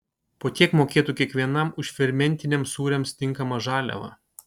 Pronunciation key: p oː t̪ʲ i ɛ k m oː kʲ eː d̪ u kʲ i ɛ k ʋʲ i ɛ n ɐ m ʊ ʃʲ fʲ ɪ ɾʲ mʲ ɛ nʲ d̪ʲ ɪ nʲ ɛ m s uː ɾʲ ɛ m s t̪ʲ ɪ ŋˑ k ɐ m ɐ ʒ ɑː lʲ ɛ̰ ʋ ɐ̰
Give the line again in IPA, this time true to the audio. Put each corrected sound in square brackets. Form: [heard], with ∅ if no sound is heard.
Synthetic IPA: p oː t̪ʲ i ɛ k m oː kʲ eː [t̪] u kʲ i ɛ k ʋʲ i ɛ n ɐ m ʊ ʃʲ fʲ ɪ ɾʲ mʲ ɛ nʲ [t̪ʲ] ɪ nʲ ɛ m s uː ɾʲ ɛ m s t̪ʲ ɪ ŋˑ k ɐ m ɐ ʒ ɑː lʲ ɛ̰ ʋ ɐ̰